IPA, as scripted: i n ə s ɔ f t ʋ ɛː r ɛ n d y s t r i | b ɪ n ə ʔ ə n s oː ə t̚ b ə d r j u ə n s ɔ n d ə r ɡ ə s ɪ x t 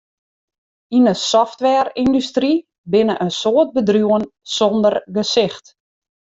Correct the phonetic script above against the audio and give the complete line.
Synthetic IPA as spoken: i n ə s ɔ f t ʋ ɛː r i n d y s t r i | b ɪ n ə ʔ ə n s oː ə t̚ b ə d r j u ə n s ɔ n d ə r ɡ ə s ɪ x t